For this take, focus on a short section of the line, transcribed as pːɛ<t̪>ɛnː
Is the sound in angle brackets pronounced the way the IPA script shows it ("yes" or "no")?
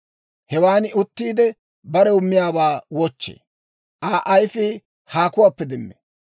no